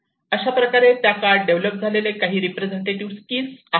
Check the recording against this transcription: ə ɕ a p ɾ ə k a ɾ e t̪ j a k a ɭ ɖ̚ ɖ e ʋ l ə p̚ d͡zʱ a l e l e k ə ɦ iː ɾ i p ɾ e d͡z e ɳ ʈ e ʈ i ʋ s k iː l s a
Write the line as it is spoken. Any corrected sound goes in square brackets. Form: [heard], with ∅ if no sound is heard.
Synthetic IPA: ə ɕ a p ɾ ə k a ɾ e t̪ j a k a [ɾ] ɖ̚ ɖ e ʋ l ə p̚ d͡zʱ a l e l e k [a] ɦ iː ɾ i p ɾ e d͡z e ɳ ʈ e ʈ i ʋ s k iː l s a